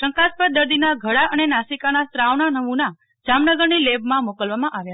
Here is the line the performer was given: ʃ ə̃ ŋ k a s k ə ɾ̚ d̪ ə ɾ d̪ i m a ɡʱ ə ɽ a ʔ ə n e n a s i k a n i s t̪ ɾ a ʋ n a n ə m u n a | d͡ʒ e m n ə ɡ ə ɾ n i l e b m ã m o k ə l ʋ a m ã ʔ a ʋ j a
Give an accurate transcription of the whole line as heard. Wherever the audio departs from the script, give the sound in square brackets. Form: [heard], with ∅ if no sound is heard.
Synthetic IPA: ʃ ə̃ ŋ k a s [p] ə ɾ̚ d̪ ə ɾ d̪ i [n] a ɡʱ ə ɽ a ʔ ə n e n a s i k a n [a] s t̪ ɾ a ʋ n a n ə m u n a | d͡ʒ [a] m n ə ɡ ə ɾ n i l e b m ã m o k ə l ʋ a m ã ʔ a ʋ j a